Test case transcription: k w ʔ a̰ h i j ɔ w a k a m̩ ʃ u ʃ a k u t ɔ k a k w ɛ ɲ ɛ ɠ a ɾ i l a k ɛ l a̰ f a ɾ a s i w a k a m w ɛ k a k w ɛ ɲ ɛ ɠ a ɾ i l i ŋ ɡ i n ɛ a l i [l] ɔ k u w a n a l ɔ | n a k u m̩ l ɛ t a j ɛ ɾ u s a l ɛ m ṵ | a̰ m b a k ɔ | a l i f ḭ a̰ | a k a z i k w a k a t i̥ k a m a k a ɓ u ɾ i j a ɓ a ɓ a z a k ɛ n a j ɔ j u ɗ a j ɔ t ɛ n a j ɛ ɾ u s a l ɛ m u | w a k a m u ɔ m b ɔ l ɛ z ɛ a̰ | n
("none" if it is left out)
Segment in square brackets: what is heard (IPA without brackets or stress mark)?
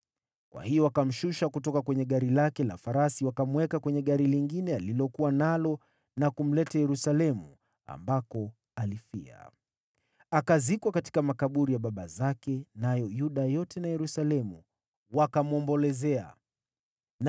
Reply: l